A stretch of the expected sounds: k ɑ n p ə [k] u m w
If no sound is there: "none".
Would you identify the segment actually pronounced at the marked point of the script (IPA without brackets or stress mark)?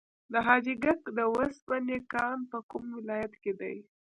k